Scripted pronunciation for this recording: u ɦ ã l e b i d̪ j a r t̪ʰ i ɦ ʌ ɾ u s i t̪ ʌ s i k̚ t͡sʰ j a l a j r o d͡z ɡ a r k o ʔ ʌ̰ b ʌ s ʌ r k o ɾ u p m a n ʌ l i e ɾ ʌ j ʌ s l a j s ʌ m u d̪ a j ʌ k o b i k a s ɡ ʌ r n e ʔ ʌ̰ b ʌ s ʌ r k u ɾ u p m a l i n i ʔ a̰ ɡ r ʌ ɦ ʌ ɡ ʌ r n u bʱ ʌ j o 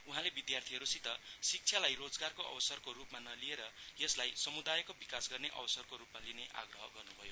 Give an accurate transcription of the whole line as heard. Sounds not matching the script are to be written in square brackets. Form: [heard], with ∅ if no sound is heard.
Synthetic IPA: u ɦ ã l e b i d̪ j a r t̪ʰ i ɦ ʌ ɾ u s i t̪ ʌ s i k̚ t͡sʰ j a l a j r o d͡z ɡ a r k o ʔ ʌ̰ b ʌ s ʌ r k o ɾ u p m a n ʌ l i e ɾ ʌ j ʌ s l a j s ʌ m u d̪ a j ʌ k o b i k a s ɡ ʌ r n e ʔ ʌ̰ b ʌ s ʌ r k [o] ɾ u p m a l i n [e] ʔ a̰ ɡ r ʌ ɦ ʌ ɡ ʌ r n u bʱ ʌ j o